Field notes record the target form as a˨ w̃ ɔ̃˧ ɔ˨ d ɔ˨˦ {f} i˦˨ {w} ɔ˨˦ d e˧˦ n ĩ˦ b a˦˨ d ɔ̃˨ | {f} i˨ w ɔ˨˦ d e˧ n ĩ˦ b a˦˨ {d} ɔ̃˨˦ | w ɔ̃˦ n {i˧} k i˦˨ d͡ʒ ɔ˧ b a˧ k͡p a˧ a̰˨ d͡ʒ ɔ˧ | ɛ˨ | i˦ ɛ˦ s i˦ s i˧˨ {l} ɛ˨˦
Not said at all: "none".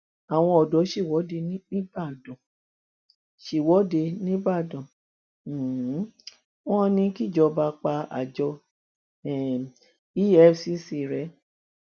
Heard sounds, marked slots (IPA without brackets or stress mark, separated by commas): ʃ, w, ʃ, d, ĩ˧, ɾ